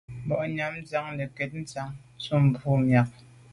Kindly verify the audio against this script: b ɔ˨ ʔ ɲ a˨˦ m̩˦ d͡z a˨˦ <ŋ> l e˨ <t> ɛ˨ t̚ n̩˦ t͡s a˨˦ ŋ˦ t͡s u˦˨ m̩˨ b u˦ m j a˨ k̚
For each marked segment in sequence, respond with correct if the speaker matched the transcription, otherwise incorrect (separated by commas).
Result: correct, incorrect